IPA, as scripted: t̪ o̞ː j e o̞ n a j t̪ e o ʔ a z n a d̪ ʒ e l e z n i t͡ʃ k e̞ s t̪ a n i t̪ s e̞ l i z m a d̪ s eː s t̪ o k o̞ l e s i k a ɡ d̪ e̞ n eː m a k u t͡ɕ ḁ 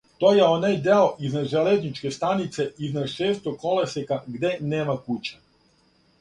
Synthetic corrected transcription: t̪ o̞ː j e o̞ n a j d̪ e o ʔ i z n a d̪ ʒ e l e z n i t͡ʃ k e̞ s t̪ a n i t̪ s e̞ i z n a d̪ ʃ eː s t̪ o k o̞ l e s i k a ɡ d̪ e̞ n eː m a k u t͡ɕ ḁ